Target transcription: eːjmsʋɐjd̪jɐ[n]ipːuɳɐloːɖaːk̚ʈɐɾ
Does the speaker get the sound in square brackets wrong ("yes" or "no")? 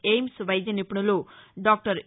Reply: no